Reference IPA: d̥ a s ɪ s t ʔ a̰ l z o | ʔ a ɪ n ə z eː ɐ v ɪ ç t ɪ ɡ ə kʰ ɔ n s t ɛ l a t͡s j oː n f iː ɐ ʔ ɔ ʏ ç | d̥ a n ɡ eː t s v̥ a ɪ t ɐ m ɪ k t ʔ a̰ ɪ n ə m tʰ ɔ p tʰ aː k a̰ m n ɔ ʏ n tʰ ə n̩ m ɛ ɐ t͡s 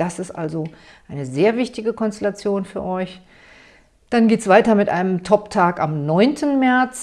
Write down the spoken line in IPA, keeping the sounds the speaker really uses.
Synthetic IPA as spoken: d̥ a s ɪ s t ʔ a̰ l z o | ʔ a ɪ n ə z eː ɐ v ɪ ç t ɪ ɡ ə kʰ ɔ n s t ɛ l a t͡s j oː n f yː ɐ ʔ ɔ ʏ ç | d̥ a n ɡ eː t s v̥ a ɪ t ɐ m ɪ t ʔ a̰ ɪ n ə m tʰ ɔ p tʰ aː k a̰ m n ɔ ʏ n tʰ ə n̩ m ɛ ɐ t͡s

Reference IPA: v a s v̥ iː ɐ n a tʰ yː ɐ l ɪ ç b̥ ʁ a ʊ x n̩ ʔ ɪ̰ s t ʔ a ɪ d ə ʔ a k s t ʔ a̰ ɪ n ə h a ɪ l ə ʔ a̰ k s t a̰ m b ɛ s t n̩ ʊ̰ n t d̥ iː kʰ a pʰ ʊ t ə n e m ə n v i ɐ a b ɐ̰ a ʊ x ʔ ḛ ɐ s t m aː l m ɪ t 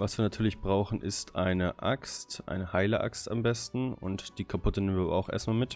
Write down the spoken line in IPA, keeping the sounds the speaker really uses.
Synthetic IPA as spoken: v a s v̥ iː ɐ n a tʰ yː ɐ l ɪ ç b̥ ʁ a ʊ x n̩ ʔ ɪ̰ s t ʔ a ɪ n ə ʔ a k s t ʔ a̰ ɪ n ə h a ɪ l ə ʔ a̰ k s t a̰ m b ɛ s t n̩ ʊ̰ n t d̥ iː kʰ a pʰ ʊ t ə n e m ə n v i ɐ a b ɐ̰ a ʊ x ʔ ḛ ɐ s t m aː l m ɪ t

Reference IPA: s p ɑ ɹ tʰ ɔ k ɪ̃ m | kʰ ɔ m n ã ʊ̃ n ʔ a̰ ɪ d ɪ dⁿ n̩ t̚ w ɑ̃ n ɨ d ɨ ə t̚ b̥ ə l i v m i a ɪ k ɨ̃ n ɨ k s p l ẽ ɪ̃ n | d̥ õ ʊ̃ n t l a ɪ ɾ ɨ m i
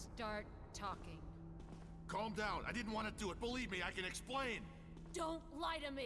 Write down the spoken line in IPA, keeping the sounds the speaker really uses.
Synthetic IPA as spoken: s t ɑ ɹ tʰ ɔ k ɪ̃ ŋ | kʰ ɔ m d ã ʊ̃ n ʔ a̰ ɪ d ɪ dⁿ n̩ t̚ w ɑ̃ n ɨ d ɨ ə t̚ b̥ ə l i v m i a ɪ k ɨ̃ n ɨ k s p l ẽ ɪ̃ n | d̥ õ ʊ̃ n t l a ɪ ɾ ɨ m i

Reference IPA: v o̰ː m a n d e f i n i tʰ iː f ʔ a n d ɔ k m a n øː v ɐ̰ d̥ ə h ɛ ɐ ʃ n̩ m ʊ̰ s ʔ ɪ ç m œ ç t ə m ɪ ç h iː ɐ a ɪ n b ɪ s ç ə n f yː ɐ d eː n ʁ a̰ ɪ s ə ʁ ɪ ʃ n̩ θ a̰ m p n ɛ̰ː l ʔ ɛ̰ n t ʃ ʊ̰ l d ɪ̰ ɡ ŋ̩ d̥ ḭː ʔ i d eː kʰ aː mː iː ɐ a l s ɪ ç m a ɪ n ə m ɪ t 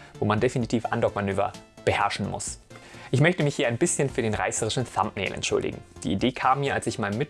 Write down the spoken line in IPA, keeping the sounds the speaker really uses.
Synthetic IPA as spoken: v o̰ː m a n d e f i n i tʰ iː f ʔ a n d ɔ k m a n øː v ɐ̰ b̥ ə h ɛ ɐ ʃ n̩ m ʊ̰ s ʔ ɪ ç m œ ç t ə m ɪ ç h iː ɐ a ɪ n b ɪ s ç ə n f yː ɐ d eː n ʁ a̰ ɪ s ə ʁ ɪ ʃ n̩ θ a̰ m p n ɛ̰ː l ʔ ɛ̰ n t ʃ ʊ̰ l d ɪ̰ ɡ ŋ̩ d̥ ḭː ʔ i d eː kʰ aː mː iː ɐ a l s ɪ ç m a ɪ n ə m ɪ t

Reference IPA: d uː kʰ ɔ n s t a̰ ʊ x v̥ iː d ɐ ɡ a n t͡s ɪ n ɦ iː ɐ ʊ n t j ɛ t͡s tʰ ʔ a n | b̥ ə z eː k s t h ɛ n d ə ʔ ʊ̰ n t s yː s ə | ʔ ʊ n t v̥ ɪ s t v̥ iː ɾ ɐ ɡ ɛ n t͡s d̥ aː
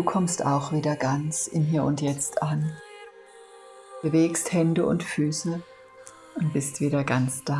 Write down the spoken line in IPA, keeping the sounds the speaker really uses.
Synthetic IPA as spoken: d uː kʰ ɔ m s t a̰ ʊ x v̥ iː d ɐ ɡ a n t͡s ɪ n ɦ iː ɐ ʊ n t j ɛ t͡s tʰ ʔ a n | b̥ ə v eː k s t h ɛ n d ə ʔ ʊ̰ n t f yː s ə | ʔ ʊ n t b̥ ɪ s t v̥ iː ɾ ɐ ɡ a n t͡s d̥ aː

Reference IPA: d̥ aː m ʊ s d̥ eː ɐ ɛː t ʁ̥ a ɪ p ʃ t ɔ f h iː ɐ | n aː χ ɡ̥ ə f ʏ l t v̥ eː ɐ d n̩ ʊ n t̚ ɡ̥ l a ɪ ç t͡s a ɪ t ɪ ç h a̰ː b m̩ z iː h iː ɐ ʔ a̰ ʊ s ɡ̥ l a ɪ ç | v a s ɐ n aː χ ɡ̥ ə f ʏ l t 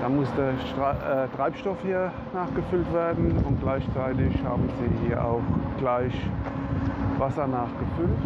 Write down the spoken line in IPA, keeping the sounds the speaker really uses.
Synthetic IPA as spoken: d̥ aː m ʊ s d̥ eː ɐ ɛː t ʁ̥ a ɪ p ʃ t ɔ f h iː ɐ | n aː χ ɡ̥ ə f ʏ l t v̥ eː ɐ d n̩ ʊ n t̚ ɡ̥ l a ɪ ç t͡s a ɪ t ɪ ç h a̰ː b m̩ z iː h iː ɐ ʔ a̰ ʊ x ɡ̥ l a ɪ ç | v a s ɐ n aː χ ɡ̥ ə f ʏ l t

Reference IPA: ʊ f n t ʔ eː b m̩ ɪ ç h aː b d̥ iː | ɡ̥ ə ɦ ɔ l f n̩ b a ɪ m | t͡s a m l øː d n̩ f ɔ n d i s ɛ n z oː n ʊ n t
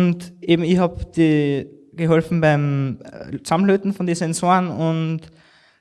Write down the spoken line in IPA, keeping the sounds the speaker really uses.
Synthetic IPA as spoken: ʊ n t ʔ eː b m̩ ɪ ç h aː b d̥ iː | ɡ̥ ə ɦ ɔ l f n̩ b a ɪ m | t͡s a m l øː t n̩ f ɔ n d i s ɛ n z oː n ʊ n t

